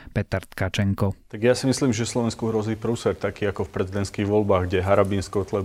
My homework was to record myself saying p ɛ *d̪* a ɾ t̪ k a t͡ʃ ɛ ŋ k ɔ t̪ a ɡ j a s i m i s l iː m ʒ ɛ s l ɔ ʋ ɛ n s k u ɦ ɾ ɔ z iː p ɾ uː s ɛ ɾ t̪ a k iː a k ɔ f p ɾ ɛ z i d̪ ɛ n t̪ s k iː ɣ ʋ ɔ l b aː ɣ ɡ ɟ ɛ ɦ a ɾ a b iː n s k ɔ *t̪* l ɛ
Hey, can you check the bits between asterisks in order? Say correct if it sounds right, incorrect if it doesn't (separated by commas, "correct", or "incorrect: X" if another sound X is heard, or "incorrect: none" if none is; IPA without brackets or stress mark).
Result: incorrect: t̪, correct